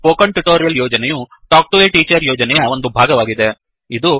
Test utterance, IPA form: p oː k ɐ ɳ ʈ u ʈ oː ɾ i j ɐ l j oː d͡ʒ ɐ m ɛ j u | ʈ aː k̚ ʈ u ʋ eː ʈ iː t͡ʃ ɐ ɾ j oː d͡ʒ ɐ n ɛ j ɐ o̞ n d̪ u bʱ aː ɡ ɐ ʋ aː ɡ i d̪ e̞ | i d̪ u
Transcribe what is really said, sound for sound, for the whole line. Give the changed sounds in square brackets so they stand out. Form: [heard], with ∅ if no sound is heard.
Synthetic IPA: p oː k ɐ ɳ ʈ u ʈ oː ɾ i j ɐ l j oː d͡ʒ ɐ [n] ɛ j u | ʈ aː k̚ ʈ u ʋ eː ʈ iː t͡ʃ ɐ ɾ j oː d͡ʒ ɐ n ɛ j ɐ o̞ n d̪ u bʱ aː ɡ ɐ ʋ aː ɡ i d̪ e̞ | i d̪ u